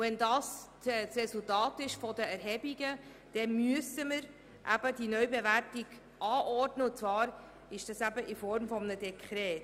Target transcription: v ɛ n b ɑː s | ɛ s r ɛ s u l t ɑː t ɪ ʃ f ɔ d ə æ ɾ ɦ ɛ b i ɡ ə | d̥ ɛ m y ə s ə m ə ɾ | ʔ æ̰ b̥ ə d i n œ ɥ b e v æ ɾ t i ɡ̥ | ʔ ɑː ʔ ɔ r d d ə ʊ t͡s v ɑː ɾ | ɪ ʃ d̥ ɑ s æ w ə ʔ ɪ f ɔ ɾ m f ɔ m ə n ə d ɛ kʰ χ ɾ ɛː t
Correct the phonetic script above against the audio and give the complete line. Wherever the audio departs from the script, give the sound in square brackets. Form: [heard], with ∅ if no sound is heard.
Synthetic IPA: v ɛ n [d] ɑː s | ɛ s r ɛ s u l t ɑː t ɪ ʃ f ɔ d ə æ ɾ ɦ ɛ b i ɡ ə | d̥ ɛ m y ə s ə m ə ɾ | ʔ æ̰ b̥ ə d i n œ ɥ b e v æ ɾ t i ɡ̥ | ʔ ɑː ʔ ɔ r d [n] ə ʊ t͡s v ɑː ɾ | ɪ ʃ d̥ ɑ s æ [b] ə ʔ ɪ f ɔ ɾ m f ɔ m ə n ə d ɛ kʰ χ ɾ ɛː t